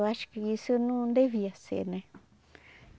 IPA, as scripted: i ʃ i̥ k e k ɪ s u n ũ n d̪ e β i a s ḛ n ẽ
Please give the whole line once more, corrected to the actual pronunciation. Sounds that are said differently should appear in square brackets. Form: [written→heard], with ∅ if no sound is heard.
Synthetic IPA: [i→a] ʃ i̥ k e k [ɪ→i] s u n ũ n d̪ e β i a s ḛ n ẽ